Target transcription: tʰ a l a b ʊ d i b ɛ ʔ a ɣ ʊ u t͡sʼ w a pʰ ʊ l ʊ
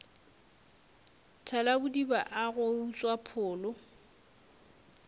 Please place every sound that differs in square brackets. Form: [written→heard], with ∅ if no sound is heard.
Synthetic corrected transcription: tʰ a l a b ʊ d i b [ɛ→a] ʔ a ɣ ʊ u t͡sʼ w a pʰ [ʊ→ʊː] l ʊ

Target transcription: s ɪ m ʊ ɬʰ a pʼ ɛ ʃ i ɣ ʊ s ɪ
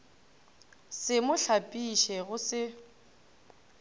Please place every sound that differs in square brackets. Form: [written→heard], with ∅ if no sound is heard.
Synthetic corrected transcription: s ɪ m ʊ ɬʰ a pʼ [ɛ→i] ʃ [i→ɛ] ɣ ʊ s ɪ

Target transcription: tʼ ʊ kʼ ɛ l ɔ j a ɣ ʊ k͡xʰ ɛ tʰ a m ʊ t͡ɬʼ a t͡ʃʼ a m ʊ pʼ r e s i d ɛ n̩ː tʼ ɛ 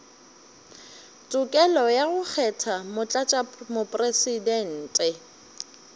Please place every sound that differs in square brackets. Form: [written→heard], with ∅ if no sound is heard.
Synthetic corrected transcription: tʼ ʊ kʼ ɛ l ɔ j a ɣ ʊ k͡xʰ ɛ tʰ a m ʊ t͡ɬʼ a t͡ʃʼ a m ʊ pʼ r e s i d ɛ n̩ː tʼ ɛ

